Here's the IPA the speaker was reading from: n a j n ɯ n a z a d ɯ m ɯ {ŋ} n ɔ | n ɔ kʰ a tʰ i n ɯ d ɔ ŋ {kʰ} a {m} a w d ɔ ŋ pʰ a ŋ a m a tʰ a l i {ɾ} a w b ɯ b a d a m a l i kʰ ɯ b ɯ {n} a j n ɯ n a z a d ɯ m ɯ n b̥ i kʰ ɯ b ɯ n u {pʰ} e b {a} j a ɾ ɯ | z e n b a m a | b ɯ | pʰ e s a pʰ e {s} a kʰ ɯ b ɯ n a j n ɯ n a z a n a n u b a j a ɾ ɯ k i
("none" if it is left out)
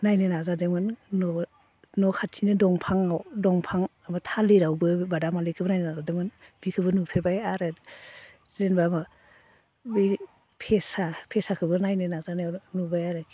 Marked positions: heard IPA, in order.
n, pʰ, ŋ, ɾ, n, pʰ, a, s

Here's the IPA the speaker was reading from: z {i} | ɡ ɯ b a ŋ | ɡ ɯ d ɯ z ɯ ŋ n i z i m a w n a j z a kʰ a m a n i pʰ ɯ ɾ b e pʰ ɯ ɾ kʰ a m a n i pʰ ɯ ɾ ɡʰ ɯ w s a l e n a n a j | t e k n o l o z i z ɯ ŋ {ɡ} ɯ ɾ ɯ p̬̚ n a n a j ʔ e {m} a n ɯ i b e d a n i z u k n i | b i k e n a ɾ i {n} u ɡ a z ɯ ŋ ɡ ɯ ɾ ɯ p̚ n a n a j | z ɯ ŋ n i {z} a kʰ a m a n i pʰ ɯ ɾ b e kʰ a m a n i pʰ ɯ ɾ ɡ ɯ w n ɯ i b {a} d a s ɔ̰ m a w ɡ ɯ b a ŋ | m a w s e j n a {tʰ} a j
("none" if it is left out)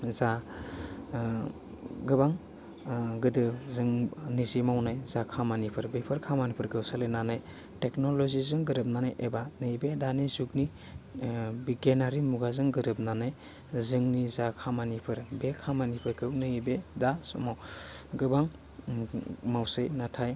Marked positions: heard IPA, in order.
a, ɡ, b, m, z, e, tʰ

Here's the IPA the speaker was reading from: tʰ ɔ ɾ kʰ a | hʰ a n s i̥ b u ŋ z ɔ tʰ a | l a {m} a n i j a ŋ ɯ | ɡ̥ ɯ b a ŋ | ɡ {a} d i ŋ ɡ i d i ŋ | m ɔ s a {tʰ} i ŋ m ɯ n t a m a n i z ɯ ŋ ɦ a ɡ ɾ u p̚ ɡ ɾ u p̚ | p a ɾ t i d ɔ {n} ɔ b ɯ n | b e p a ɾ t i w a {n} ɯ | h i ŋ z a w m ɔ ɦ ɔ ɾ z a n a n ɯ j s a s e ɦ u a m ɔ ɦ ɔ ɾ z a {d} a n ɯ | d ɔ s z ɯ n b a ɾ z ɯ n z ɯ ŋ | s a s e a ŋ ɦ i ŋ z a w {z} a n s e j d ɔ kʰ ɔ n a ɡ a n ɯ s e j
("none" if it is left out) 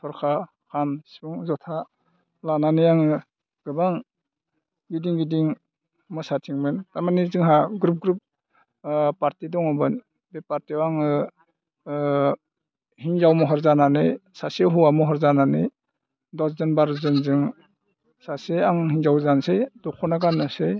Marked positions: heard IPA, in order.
n, i, tʰ, ŋ, ŋ, n, z

